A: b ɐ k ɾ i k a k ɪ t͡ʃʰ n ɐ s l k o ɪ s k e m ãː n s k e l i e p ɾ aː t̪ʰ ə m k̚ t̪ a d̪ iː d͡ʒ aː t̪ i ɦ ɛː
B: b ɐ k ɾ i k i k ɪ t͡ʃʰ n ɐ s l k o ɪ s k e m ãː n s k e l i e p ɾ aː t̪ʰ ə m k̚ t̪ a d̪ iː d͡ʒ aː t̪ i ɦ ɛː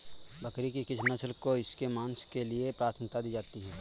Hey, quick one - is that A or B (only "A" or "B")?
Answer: B